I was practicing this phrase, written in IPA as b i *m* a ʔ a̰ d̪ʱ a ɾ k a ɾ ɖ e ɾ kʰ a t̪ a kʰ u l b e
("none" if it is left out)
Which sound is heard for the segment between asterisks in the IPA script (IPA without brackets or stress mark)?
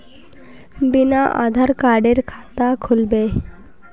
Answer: n